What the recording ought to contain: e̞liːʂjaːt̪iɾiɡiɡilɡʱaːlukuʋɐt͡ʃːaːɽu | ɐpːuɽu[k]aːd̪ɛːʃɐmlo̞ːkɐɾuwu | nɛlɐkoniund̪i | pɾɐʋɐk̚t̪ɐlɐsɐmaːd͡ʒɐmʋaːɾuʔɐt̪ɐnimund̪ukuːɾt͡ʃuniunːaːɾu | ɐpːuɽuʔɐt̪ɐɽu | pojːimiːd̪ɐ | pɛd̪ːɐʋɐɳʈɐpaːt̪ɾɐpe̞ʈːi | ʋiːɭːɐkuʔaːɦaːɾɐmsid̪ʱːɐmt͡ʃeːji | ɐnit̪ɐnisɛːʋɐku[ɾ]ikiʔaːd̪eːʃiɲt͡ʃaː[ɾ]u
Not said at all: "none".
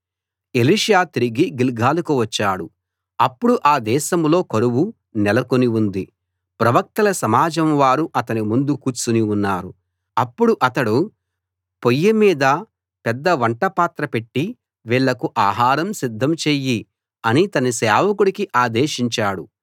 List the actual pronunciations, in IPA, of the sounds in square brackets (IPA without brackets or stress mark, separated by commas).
ʔ, ɽ, ɽ